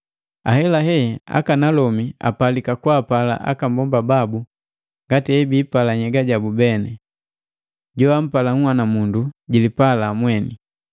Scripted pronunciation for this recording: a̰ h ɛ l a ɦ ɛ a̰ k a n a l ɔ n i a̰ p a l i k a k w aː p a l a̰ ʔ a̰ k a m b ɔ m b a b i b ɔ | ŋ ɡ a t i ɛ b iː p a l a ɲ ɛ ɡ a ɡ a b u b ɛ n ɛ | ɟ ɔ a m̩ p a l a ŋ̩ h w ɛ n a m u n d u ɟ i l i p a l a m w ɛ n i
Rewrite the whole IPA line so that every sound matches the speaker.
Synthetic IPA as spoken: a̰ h ɛ l a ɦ ɛ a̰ k a n a l ɔ m i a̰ p a l i k a k w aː p a l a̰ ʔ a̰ k a m b ɔ m b a b a b u | ŋ ɡ a t i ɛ b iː p a l a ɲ ɛ ɡ a ɟ a b u b ɛ n ɛ | ɟ ɔ a m̩ p a l a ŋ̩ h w a n a m u n d u ɟ i l i p a l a m w ɛ n i

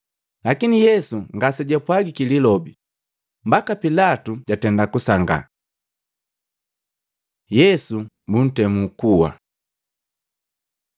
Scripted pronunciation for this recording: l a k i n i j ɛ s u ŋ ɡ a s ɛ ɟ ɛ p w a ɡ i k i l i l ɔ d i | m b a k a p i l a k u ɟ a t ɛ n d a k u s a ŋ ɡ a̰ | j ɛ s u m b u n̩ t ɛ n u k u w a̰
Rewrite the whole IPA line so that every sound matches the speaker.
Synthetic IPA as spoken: l a k i n i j ɛ s u ŋ ɡ a s ɛ ɟ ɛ p w a ɡ i k i l i l ɔ b i | m b a k a p i l a t u ɟ a t ɛ n d a k u s a ŋ ɡ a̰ | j ɛ s u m b u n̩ t ɛ m u k u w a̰

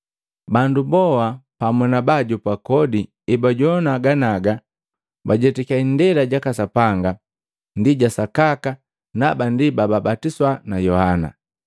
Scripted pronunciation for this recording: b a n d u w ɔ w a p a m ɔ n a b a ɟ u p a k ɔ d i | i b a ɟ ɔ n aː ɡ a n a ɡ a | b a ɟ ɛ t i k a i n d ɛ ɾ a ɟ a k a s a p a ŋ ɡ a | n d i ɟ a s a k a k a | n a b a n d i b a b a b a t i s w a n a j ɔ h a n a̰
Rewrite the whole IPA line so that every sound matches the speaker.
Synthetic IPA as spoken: b a n d u b ɔ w a p a m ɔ n a b a ɟ u p a k ɔ d i | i b a ɟ ɔ n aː ɡ a n a ɡ a | b a ɟ ɛ t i k a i n d ɛ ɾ a ɟ a k a s a p a ŋ ɡ a | n d i ɟ a s a k a k a | n a b a n d i b a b a b a t i s w a n a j ɔ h a n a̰

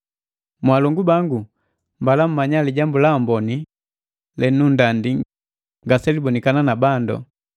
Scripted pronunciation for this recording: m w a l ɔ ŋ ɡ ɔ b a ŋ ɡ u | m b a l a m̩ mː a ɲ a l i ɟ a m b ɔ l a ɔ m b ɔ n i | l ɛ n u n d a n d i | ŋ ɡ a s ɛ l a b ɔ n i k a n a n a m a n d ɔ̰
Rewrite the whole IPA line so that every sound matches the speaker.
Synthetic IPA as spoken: m w a l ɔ ŋ ɡ u b a ŋ ɡ u | m b a l a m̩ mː a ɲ a l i ɟ a m b u l a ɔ m b ɔ n i | l ɛ n u n d a n d i | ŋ ɡ a s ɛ l i b ɔ n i k a n a n a b a n d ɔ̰

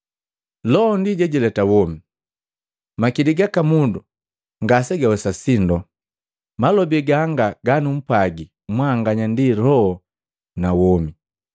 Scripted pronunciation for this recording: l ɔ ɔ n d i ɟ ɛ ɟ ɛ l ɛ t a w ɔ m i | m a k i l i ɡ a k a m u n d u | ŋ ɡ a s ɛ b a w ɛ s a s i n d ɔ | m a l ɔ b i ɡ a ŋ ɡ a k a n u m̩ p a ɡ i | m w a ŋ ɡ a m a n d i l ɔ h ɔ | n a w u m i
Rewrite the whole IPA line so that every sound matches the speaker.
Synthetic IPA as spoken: l ɔ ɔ n d i ɟ ɛ ɟ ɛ l ɛ t a w ɔ m i | m a k i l i ɡ a k a m u n d u | ŋ ɡ a s ɛ ɡ a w ɛ s a s i n d ɔ | m a l ɔ b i ɡ a ŋ ɡ a ɡ a n u m̩ p a ɡ i | m w a ŋ ɡ a ɲ a n d i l ɔ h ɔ | n a w ɔ m i

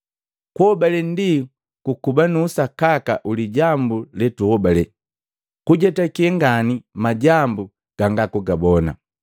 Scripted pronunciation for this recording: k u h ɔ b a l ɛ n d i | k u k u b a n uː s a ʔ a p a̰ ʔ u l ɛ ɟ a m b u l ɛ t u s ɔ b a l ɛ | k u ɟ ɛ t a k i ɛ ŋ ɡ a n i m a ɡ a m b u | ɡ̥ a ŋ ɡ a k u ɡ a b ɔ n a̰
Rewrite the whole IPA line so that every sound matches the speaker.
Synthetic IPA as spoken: k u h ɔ b a l ɛ n d i | k u k u b a n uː s a k a k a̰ ʔ u l i ɟ a m b u l ɛ t u h ɔ b a l ɛ | k u ɟ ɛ t a k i ɛ ŋ ɡ a n i m a ɟ a m b u | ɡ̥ a ŋ ɡ a k u ɡ a b ɔ n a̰

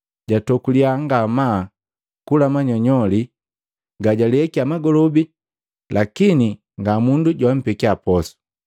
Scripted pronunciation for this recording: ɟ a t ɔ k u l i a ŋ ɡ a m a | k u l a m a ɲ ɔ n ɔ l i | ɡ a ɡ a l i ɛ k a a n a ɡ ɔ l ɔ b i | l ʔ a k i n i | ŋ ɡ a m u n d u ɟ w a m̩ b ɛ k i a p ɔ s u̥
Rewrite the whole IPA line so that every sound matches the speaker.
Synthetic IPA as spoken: ɟ a t ɔ k u l i a ŋ ɡ a m a | k u l a m a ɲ ɔ ɲ ɔ l i | ɡ a ɟ a l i ɛ k i a m a ɡ ɔ l ɔ b i | l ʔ a k i n i | ŋ ɡ a m u n d u ɟ w a m̩ p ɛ k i a p ɔ s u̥

